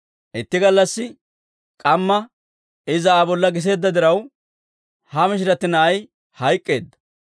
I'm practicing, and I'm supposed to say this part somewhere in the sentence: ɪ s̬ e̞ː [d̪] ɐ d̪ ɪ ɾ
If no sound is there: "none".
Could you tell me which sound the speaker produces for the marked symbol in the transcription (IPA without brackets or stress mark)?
d̪ː